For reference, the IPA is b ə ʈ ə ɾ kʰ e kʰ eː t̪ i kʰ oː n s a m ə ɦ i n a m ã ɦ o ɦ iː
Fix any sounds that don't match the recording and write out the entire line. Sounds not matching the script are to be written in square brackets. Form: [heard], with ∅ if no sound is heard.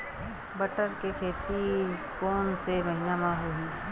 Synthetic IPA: b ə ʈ ə ɾ [k] e kʰ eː t̪ i [k] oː n s [e] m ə ɦ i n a m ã ɦ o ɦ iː